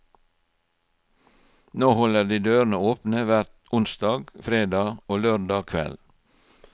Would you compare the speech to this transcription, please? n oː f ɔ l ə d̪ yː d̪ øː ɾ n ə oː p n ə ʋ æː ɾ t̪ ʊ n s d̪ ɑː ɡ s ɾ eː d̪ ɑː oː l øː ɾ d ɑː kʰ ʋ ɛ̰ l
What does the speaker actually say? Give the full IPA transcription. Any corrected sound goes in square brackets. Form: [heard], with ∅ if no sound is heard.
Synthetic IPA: n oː [h] ɔ l ə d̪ [iː] d̪ øː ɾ n ə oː p n ə ʋ [æ] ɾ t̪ ʊ n s d̪ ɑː ɡ [f] ɾ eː d̪ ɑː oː l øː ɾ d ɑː kʰ ʋ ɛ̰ l